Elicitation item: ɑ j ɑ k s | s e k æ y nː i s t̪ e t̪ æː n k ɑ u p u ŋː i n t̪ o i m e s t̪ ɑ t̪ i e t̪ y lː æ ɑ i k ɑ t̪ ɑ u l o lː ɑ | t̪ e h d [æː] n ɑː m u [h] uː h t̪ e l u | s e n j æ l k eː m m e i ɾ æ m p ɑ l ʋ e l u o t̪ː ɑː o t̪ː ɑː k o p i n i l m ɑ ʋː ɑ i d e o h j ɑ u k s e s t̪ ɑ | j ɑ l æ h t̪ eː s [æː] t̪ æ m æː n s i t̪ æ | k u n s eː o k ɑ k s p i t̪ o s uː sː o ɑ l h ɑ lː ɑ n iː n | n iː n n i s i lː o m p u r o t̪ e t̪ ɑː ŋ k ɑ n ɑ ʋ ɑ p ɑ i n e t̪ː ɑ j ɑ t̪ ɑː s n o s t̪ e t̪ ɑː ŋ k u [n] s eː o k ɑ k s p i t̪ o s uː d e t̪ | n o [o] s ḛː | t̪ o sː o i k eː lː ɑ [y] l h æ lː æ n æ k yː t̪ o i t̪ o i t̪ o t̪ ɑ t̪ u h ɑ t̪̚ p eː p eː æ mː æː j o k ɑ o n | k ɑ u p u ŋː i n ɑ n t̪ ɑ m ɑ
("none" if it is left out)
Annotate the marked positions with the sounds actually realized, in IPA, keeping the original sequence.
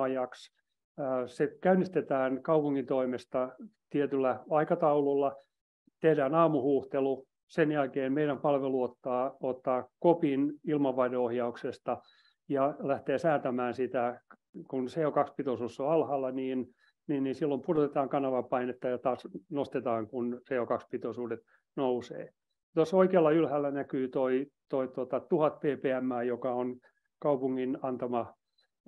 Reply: æː, h, æː, n, u, y

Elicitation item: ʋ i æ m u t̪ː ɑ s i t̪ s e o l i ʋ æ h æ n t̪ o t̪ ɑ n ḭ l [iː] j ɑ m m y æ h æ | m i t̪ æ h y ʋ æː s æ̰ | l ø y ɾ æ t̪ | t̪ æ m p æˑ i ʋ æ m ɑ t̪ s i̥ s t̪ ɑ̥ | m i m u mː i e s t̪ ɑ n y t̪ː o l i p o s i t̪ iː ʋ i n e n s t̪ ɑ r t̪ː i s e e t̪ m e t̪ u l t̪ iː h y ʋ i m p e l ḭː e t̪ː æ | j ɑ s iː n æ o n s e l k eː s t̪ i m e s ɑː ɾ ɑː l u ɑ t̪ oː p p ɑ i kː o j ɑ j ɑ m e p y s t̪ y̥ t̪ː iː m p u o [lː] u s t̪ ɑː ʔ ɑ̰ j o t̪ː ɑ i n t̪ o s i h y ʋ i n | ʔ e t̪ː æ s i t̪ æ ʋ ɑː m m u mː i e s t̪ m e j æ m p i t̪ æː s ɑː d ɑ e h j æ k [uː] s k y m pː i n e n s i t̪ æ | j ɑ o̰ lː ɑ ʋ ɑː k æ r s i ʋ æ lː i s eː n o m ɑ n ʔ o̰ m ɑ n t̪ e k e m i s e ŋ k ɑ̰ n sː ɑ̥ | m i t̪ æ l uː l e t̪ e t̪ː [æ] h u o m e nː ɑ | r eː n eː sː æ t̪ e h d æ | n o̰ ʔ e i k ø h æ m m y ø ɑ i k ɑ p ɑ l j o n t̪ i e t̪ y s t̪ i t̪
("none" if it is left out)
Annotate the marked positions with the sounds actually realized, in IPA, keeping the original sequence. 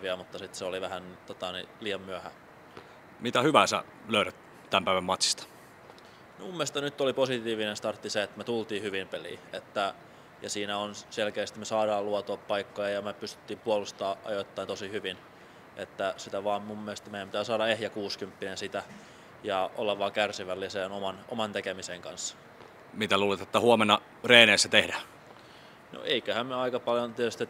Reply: iː, l, uː, æ

